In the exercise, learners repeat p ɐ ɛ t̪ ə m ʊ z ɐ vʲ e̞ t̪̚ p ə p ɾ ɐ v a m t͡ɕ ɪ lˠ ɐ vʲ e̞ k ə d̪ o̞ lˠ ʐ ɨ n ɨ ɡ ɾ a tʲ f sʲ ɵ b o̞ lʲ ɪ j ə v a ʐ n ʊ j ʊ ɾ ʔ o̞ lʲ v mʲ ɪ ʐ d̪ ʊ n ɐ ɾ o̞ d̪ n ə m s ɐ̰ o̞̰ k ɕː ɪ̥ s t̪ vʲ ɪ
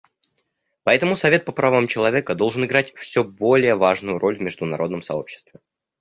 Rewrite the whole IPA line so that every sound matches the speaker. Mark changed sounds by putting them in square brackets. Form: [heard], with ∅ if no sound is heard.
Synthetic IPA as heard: p ɐ ɛ t̪ ə m ʊ [s] ɐ vʲ e̞ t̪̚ p ə p ɾ ɐ v a m t͡ɕ ɪ lˠ ɐ vʲ e̞ k ə d̪ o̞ lˠ ʐ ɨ n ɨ ɡ ɾ a tʲ f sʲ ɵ b o̞ lʲ ɪ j ə v a ʐ n ʊ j ʊ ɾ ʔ o̞ lʲ v mʲ ɪ ʐ d̪ ʊ n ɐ ɾ o̞ d̪ n ə m s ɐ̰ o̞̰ [p] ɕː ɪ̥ s t̪ vʲ ɪ